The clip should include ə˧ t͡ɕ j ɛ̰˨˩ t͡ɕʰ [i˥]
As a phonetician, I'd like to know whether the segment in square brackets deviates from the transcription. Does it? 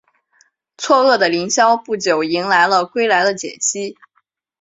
no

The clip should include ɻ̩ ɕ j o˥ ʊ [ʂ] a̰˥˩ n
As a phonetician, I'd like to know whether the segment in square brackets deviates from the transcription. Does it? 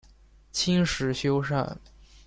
no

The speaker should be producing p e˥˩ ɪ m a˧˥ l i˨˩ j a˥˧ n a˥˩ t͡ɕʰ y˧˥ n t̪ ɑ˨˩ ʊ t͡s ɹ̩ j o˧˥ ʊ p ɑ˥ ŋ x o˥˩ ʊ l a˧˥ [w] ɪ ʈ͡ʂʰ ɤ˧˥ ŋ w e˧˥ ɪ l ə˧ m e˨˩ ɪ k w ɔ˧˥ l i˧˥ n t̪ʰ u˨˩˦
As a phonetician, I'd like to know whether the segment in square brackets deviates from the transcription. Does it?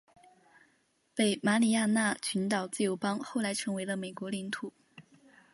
yes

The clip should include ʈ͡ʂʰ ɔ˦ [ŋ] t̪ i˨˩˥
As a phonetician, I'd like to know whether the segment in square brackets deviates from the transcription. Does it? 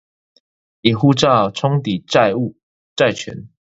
no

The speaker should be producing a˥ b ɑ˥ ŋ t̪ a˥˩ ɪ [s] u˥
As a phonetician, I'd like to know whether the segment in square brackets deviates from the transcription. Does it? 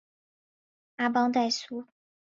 no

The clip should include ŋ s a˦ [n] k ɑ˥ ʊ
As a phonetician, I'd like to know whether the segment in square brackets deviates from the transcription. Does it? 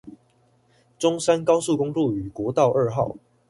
no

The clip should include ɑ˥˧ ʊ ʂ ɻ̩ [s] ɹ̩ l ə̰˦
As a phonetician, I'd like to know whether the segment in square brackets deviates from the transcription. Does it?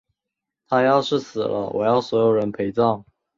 no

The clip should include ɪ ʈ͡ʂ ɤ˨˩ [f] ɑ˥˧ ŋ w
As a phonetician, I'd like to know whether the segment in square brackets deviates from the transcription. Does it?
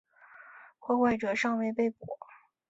yes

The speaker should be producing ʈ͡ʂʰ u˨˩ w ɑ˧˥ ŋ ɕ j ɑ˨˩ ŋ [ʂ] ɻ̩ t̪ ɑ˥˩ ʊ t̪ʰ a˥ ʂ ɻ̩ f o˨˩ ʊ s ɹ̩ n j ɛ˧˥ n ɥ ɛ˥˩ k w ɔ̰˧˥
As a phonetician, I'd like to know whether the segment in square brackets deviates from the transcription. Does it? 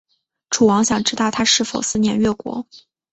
yes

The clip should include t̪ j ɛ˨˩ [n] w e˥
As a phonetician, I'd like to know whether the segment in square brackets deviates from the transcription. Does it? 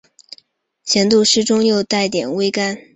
no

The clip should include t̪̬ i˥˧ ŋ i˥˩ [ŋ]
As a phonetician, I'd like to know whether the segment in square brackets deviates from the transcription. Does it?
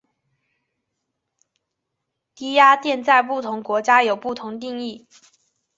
yes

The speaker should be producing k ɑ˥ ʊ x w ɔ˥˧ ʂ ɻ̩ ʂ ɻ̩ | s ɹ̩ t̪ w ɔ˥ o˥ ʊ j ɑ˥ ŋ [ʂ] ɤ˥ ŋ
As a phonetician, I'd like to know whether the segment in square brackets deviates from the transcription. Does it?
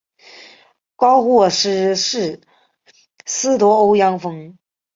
yes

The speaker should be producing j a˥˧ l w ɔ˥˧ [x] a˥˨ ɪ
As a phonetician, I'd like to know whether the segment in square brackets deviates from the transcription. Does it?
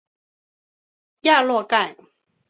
yes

